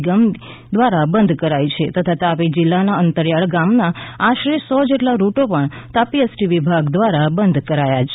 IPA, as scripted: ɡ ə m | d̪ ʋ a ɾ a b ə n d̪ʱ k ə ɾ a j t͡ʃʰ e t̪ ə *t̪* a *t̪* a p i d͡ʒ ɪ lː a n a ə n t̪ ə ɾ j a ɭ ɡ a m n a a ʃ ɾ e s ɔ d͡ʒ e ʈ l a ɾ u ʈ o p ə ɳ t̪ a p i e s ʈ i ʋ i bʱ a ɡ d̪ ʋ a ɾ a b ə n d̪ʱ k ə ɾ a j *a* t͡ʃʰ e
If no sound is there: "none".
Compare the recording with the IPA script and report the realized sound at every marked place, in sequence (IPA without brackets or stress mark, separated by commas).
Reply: t̪ʰ, t̪, a